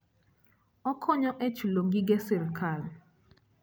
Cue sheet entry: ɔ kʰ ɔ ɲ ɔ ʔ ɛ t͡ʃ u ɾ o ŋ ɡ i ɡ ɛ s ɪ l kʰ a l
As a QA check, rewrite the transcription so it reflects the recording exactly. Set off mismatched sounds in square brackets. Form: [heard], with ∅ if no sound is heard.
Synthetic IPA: ɔ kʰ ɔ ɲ ɔ ʔ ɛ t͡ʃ u [l] o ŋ ɡ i ɡ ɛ s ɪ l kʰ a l